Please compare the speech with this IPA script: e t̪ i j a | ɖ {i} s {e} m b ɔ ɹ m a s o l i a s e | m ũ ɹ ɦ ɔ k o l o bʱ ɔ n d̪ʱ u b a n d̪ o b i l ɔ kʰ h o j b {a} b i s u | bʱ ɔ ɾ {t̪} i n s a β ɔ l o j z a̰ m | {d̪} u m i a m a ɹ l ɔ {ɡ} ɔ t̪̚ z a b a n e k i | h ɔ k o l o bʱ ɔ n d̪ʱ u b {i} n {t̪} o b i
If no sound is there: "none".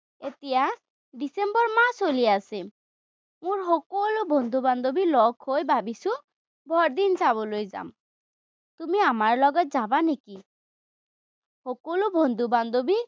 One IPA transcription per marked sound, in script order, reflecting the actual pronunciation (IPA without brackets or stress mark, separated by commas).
i, e, a, d̪, t̪, ɡ, a, d̪